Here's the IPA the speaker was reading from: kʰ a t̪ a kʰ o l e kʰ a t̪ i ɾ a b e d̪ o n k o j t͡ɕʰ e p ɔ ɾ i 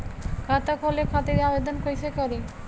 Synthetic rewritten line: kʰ a t̪ a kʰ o l e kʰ a t̪ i ɾ a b e d̪ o n k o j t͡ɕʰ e k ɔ ɾ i